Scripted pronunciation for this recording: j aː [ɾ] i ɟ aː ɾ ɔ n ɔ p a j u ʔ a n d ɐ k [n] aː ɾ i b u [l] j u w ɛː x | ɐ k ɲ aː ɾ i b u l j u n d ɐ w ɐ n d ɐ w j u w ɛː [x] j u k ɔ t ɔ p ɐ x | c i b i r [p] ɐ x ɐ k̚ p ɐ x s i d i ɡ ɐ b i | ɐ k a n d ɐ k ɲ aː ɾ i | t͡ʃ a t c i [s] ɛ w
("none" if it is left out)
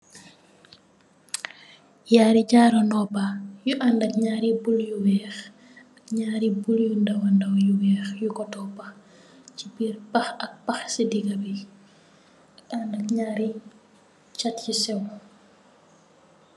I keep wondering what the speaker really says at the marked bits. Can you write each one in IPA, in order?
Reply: ɾ, ɲ, l, x, p, s

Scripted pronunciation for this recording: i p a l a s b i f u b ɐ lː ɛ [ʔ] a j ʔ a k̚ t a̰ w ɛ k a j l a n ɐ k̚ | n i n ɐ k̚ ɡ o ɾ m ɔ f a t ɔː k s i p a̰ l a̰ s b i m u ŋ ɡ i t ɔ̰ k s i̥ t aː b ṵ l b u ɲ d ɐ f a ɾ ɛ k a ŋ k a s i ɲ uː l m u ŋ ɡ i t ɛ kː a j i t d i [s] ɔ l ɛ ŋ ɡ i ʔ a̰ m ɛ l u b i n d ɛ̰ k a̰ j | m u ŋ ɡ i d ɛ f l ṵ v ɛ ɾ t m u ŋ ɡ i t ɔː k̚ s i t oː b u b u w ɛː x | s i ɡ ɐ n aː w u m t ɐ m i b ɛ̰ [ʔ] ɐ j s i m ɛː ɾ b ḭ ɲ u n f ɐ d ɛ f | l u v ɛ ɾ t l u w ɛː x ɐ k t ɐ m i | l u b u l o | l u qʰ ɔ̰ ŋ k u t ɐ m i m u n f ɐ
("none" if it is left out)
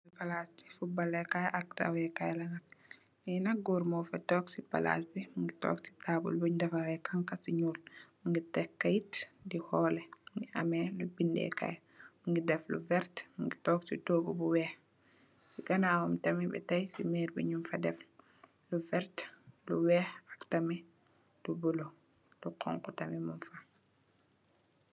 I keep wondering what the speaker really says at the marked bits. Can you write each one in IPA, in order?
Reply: k, h, t

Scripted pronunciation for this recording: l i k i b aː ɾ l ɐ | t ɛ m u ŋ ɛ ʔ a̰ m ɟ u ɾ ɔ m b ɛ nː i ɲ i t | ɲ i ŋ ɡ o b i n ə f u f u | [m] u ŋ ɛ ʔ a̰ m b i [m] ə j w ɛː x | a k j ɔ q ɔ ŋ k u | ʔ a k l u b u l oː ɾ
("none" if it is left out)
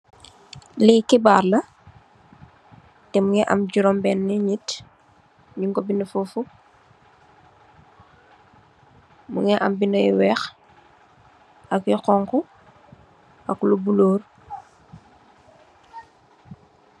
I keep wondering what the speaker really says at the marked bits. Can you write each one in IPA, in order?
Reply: m, n

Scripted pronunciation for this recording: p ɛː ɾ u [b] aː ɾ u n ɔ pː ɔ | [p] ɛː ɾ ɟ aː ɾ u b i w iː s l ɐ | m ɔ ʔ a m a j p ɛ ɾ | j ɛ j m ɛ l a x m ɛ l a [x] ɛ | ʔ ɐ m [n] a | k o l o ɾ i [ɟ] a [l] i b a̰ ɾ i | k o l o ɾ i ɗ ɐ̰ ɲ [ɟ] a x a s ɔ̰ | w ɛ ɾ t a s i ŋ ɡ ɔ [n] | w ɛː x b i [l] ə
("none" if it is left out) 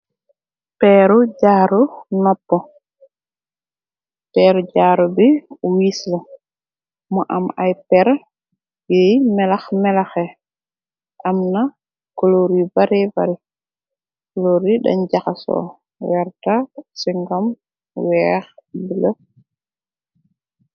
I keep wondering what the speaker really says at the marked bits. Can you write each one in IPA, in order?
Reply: ɟ, p, x, n, b, ɾ, ɟ, m, l

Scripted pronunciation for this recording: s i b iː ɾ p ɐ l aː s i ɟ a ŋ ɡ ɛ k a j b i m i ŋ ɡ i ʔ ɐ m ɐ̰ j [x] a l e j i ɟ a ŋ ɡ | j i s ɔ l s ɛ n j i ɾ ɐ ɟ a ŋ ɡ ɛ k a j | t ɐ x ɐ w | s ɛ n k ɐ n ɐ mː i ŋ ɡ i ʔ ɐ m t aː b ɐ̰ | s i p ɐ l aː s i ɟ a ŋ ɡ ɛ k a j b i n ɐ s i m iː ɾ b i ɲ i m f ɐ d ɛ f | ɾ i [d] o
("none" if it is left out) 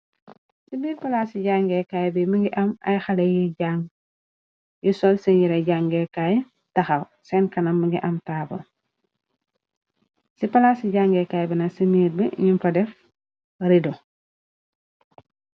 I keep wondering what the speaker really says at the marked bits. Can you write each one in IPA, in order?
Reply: x, d

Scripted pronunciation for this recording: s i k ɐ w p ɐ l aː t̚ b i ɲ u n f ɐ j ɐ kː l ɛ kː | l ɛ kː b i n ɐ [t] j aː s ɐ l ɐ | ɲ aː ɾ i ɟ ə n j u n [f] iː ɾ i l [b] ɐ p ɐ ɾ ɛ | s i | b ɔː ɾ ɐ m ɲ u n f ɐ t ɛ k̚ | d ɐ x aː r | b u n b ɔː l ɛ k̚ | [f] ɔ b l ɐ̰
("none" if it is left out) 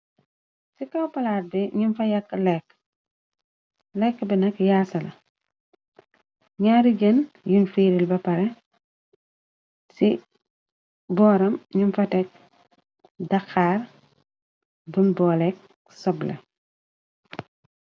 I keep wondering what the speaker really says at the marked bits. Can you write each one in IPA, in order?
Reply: k, f, b, s

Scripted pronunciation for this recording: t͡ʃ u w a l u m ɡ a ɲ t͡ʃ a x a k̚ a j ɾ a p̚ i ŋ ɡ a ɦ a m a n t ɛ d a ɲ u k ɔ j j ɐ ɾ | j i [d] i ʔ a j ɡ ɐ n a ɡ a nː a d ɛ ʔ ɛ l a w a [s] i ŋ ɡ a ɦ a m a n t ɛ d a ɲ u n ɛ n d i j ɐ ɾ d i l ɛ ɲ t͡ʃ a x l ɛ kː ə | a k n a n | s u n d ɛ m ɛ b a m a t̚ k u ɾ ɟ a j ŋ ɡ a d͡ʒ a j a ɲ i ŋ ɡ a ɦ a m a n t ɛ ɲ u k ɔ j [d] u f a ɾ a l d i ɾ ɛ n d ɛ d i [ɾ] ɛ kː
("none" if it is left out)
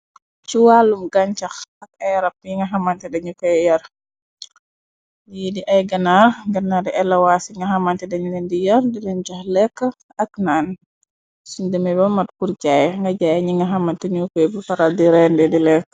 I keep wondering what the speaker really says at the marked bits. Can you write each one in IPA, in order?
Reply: d, s, b, l

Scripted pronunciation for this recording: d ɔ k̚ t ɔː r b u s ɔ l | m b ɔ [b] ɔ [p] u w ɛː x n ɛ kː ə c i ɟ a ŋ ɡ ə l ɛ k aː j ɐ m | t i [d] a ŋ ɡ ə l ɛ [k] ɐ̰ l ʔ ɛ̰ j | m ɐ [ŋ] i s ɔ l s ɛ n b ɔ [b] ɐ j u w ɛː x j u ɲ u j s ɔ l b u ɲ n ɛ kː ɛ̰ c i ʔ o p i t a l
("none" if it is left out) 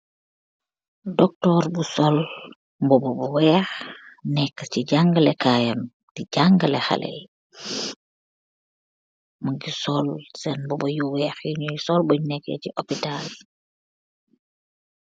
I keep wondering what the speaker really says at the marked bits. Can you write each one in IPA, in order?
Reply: b, b, ɟ, x, ɡ, b

